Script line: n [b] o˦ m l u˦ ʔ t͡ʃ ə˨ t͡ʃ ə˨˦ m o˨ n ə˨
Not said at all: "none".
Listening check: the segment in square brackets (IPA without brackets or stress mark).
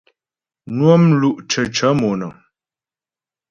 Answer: w